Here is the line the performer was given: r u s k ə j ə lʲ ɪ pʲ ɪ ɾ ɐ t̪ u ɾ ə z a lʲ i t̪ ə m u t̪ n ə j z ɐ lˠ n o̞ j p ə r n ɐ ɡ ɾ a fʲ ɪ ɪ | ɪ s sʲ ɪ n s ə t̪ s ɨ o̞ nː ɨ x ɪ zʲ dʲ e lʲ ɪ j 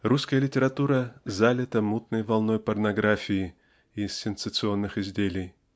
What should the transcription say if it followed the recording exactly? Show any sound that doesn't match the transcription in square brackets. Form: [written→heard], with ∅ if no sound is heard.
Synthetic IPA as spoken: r u s k ə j ə lʲ ɪ [pʲ→tʲ] ɪ ɾ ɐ t̪ u ɾ ə z a lʲ [i→ɪ] t̪ ə m u t̪ n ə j [z→v] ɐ lˠ n o̞ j p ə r n ɐ ɡ ɾ a fʲ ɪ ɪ | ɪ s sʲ ɪ n s ə t̪ s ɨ o̞ nː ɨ x ɪ zʲ dʲ e lʲ ɪ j